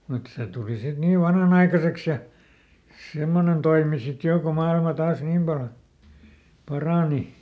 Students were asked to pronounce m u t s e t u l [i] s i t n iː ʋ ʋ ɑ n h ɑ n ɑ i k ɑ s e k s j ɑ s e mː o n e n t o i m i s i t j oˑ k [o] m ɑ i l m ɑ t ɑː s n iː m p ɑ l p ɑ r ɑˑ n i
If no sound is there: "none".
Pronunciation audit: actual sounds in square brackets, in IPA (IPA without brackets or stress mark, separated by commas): i, o